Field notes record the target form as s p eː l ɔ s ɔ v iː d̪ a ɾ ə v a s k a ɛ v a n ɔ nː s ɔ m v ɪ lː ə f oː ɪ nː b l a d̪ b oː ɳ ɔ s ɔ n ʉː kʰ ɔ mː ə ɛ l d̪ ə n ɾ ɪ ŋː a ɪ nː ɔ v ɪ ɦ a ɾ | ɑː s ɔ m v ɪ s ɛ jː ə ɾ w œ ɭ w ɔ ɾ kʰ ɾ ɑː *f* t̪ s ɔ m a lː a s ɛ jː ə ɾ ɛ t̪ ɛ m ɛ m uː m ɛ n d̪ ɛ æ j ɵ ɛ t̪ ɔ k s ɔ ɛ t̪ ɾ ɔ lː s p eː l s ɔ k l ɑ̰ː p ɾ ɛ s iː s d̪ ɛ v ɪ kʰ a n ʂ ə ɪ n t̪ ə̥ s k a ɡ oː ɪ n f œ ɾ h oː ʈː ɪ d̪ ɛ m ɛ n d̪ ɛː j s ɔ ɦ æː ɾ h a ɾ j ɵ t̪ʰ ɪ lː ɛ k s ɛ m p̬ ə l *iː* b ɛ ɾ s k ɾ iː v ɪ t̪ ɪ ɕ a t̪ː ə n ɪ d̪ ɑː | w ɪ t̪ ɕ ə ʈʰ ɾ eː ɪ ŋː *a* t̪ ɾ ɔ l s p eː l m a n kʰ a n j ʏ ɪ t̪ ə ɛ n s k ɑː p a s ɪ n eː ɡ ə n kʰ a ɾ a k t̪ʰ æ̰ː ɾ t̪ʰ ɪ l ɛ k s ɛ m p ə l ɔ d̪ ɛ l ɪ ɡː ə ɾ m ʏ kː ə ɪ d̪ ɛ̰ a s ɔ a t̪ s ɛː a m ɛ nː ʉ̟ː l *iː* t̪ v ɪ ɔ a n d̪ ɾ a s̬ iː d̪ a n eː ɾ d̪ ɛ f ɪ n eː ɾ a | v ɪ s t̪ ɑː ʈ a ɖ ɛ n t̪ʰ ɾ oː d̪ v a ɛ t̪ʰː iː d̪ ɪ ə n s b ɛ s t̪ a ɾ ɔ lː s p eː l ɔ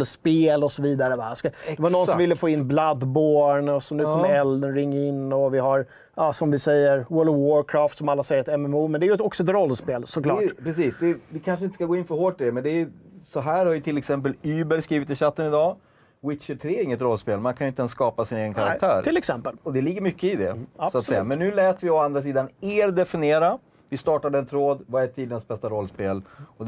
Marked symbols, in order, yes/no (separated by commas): yes, no, no, no